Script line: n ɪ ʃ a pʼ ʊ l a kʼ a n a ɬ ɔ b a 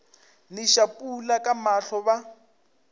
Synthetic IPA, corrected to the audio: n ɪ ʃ a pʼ u l a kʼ a m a ɬ ɔ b a